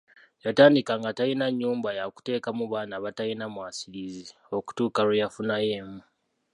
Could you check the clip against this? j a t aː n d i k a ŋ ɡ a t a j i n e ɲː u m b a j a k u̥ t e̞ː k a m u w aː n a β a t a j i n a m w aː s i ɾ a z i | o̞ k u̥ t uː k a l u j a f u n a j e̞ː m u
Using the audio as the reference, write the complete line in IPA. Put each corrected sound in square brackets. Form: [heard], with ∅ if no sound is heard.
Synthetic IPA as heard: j a t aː n d i k a ŋ ɡ a t a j i n [a] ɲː [uː] m b a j a k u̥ t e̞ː k a m u [β] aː n a β a t a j i n a m w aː s i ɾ [i] z i | o̞ k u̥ t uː k a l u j a f u n a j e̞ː m u

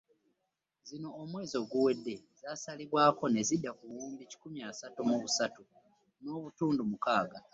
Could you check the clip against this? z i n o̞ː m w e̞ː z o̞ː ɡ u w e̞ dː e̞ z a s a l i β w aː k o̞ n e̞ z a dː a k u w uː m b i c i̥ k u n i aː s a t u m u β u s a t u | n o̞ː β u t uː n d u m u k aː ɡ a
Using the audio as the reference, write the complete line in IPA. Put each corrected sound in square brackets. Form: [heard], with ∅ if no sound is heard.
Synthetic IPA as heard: z i n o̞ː m w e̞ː z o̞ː ɡ u w e̞ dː e̞ z a s a l i β w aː k o̞ n e̞ z [i] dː a k u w uː m b i c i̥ k u [m] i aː s a t u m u β u s a t u | n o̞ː β u t uː n d u m u k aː ɡ a

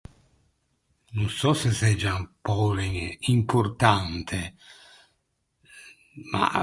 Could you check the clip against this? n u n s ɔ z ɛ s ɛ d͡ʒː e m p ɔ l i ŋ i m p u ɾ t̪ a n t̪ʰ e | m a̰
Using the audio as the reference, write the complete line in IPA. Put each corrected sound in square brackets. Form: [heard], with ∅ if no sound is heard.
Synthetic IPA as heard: n u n s ɔ [s] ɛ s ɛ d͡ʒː [a] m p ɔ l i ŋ i m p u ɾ t̪ a n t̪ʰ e | m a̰

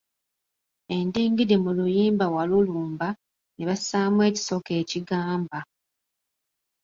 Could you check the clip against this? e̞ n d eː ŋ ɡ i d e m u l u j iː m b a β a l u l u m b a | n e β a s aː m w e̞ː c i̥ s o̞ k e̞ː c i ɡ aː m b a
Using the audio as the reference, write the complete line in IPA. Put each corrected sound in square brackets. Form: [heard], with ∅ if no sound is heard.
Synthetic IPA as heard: e̞ n d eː ŋ ɡ i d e m u l u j iː m b a [w] a l u l [uː] m b a | n e β a s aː m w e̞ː c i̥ s o̞ k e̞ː c i ɡ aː m b a

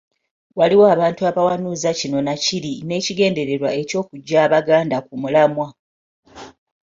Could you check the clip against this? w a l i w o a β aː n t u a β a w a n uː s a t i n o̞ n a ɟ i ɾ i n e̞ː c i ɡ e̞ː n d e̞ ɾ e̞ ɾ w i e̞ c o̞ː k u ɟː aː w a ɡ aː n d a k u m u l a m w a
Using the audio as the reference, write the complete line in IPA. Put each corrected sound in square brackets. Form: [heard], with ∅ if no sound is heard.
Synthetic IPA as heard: w a l i w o a β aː n t u a β a w a n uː [z] a [c] i n o̞ n a [c] i ɾ i n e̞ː c i ɡ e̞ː n d e̞ ɾ e̞ ɾ w [a] e̞ c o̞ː k u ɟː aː [β] a ɡ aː n d a k u m u l a m w a

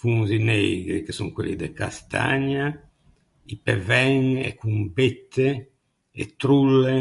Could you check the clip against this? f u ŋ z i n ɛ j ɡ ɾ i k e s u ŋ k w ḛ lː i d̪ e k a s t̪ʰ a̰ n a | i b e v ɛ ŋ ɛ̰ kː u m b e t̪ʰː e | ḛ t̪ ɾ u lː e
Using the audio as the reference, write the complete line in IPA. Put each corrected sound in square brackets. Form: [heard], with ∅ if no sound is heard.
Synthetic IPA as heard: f u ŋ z i n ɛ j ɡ ɾ i k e s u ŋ k w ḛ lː i d̪ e k a s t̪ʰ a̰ [ɲ] a | i [p] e v ɛ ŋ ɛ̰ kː u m b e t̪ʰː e | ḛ t̪ ɾ u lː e

